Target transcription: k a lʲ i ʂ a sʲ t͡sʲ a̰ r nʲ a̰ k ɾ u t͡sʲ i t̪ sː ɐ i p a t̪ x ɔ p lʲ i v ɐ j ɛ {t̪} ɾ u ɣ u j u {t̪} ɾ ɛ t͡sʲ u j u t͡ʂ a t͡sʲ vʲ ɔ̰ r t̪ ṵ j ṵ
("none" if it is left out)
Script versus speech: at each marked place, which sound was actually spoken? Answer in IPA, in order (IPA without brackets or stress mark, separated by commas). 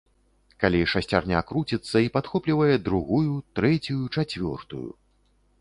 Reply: d̪, t̪